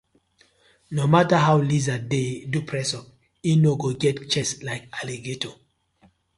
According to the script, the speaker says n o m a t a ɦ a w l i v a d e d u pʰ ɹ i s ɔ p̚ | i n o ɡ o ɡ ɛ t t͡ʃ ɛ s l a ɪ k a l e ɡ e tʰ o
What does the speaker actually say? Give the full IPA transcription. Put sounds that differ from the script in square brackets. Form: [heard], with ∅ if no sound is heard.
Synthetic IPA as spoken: n o m a t a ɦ a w l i [z] a d e d u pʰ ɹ [ɛ] s ɔ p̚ | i n o ɡ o ɡ ɛ t t͡ʃ ɛ s l a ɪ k a l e ɡ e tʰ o